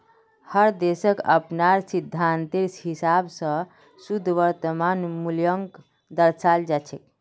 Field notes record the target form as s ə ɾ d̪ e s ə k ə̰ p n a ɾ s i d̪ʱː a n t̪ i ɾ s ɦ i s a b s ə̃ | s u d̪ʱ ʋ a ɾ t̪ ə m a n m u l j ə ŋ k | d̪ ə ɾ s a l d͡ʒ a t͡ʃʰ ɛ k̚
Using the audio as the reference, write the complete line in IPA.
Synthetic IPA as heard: h ə ɾ d̪ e s ə k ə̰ p n a ɾ s i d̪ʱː a n t̪ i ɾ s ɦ i s a b s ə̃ | s u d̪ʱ ʋ ə ɾ t̪ ə m a n m u l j ə ŋ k | d̪ ə ɾ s a l d͡ʒ a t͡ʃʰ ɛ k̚